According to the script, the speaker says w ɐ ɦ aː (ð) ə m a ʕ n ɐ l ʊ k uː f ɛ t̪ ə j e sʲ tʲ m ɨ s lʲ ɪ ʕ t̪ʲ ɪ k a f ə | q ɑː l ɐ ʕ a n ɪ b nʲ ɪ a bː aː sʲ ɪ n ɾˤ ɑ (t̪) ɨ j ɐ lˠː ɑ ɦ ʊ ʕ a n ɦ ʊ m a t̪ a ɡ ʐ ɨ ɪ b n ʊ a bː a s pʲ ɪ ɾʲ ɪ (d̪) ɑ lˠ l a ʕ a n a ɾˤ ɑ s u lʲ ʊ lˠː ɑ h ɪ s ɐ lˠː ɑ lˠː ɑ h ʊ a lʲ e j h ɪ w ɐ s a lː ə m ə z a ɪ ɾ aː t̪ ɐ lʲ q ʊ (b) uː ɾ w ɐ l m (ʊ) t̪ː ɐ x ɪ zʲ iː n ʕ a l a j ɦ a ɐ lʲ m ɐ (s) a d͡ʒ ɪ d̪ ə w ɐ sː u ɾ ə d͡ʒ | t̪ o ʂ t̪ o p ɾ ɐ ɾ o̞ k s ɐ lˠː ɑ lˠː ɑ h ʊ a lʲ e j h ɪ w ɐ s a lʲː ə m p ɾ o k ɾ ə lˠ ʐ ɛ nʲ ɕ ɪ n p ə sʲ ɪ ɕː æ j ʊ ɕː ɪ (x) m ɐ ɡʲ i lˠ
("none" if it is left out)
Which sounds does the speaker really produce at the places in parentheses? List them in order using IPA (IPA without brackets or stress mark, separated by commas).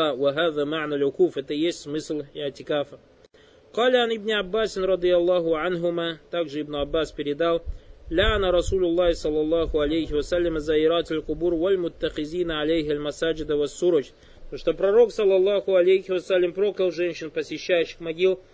ð, d̪, d̪, b, ʊ, s, x